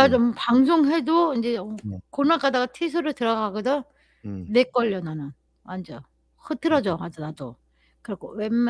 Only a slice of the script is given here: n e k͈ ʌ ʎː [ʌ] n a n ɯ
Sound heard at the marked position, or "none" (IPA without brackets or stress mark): ʌ